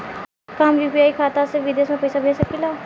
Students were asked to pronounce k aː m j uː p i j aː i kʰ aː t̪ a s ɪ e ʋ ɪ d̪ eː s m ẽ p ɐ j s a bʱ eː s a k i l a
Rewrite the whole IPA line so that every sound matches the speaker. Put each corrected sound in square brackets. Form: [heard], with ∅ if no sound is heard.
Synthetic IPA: k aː m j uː p i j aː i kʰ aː t̪ a s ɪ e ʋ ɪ d̪ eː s m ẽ p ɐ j s a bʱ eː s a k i l a

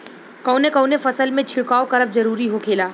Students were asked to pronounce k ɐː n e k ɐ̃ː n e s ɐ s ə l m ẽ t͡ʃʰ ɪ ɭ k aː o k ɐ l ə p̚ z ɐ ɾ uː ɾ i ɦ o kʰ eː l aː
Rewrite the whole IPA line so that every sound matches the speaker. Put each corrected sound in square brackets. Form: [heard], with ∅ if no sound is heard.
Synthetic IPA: k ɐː n e k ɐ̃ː n e [f] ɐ s ə l m ẽ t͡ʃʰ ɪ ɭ k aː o k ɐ [ɾ] ə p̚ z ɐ ɾ uː ɾ i ɦ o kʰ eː l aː

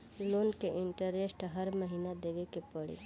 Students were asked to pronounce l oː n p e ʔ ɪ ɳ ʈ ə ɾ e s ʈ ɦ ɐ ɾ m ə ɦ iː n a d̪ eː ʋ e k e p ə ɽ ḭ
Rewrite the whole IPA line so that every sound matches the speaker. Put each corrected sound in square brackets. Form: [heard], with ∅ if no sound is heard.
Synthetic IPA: l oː n [k] e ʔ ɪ ɳ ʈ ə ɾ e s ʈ ɦ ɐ ɾ m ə ɦ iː n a d̪ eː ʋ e k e p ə ɽ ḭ

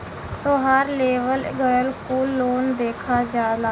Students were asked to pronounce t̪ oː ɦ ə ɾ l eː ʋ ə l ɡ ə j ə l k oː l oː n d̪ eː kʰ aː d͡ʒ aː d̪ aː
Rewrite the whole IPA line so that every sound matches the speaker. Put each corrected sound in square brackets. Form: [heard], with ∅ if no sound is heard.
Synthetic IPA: t̪ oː ɦ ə ɾ l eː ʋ ə l ɡ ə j ə l k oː l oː n d̪ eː kʰ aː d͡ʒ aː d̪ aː

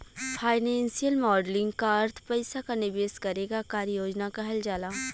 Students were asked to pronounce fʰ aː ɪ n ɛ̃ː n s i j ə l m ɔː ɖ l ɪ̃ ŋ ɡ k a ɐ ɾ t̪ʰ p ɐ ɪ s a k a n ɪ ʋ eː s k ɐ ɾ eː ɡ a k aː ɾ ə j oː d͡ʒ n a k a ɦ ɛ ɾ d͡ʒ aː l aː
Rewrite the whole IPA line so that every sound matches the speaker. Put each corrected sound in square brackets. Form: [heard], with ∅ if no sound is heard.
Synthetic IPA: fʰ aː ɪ n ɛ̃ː n s i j ə l m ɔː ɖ l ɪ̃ ŋ ɡ k a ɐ ɾ t̪ʰ p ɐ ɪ s a k a n ɪ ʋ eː s k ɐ ɾ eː ɡ a k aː ɾ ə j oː d͡ʒ n a k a ɦ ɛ [l] d͡ʒ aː l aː

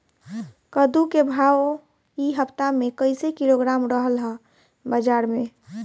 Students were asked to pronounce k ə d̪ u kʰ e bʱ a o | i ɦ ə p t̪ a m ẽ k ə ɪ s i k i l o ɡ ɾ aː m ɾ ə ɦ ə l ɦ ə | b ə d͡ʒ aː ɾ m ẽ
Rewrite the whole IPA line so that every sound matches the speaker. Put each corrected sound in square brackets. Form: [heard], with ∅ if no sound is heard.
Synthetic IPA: k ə d̪ u [k] e bʱ a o | i ɦ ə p t̪ a m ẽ k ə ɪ s [e] k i l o ɡ ɾ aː m ɾ ə ɦ ə l ɦ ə | b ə d͡ʒ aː ɾ m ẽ

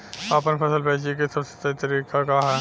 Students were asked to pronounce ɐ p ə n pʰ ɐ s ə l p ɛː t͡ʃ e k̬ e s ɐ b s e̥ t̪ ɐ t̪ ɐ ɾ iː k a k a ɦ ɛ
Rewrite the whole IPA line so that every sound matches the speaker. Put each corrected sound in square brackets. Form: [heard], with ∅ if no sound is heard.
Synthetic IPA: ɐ p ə n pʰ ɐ s ə l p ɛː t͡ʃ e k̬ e s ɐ b s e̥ t̪ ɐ t̪ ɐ ɾ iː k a k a ɦ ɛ

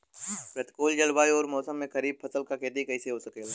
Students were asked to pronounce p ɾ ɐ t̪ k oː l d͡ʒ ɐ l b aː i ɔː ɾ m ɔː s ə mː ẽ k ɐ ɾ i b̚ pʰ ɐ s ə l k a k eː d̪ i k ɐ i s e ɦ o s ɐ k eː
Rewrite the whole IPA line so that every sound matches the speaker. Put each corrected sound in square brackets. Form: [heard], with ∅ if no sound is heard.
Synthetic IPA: p ɾ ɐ t̪ k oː l d͡ʒ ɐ l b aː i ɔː ɾ m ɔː s ə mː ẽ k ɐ ɾ [iː] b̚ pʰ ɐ s ə l k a k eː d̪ i k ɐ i s e ɦ o s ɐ k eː

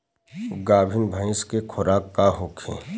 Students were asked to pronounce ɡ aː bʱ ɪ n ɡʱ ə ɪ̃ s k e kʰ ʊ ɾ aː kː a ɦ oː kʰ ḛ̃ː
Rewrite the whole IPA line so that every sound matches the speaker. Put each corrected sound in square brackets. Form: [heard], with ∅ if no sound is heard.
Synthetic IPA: ɡ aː bʱ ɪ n [bʱ] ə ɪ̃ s k e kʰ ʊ ɾ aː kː a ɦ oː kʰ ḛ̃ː

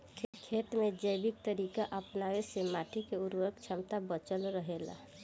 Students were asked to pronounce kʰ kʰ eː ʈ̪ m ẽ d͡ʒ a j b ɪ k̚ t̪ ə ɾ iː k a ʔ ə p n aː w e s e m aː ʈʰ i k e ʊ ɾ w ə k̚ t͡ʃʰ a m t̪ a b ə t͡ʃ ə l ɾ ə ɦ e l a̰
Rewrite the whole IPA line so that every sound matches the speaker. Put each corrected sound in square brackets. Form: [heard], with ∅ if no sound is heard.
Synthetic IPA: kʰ kʰ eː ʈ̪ m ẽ d͡ʒ [ə] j b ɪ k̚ t̪ ə ɾ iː k a ʔ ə p n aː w e s e m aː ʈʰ i k e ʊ ɾ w ə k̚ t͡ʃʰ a m t̪ a b ə t͡ʃ ə l ɾ ə ɦ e l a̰

